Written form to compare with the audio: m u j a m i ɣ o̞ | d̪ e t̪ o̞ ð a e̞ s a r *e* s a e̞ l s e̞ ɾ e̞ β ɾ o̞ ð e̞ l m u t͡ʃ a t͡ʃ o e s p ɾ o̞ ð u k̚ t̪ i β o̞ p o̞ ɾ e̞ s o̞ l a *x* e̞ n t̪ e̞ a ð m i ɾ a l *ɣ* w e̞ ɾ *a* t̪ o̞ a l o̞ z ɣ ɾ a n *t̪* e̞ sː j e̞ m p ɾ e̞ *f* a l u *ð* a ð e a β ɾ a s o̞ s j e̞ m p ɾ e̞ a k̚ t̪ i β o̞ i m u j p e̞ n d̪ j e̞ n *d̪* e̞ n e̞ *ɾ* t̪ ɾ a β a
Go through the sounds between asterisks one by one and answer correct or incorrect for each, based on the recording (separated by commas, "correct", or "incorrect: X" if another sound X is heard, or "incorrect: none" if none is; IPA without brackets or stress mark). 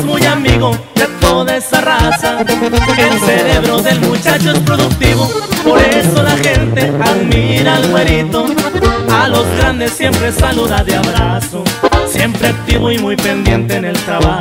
incorrect: a, correct, correct, incorrect: i, incorrect: d̪, incorrect: s, correct, incorrect: t̪, incorrect: l